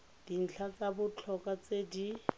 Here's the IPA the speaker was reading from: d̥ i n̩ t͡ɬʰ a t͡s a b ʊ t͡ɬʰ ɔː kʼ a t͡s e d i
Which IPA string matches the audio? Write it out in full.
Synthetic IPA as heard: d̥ i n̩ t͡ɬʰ a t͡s a b ʊ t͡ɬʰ ɔ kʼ a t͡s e d i